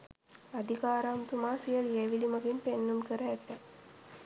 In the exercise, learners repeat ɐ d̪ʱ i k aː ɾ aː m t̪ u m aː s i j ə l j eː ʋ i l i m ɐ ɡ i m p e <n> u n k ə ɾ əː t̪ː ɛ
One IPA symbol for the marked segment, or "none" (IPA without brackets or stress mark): nː